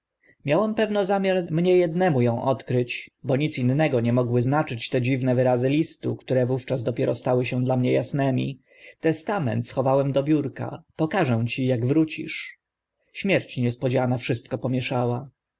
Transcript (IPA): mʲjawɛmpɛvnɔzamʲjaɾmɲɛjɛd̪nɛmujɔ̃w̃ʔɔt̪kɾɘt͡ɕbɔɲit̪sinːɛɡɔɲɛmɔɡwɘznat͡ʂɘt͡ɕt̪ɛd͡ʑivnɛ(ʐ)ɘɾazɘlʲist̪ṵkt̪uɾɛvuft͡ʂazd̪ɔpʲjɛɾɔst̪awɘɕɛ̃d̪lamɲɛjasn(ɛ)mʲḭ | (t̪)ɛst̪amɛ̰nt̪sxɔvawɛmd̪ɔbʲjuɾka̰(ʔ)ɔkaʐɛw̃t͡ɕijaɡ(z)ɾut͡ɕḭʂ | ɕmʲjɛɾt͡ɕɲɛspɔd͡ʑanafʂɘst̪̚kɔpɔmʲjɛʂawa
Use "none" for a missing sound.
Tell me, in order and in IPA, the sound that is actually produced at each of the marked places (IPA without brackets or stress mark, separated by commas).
v, ɛ, t̪, p, v